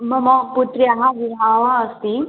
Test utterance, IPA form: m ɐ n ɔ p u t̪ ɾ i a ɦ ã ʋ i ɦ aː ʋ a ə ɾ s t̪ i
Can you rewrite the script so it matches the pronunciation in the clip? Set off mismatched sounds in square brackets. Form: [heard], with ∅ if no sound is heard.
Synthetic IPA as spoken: m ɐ [m] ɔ p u t̪ ɾ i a ɦ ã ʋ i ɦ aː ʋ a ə [∅] s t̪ i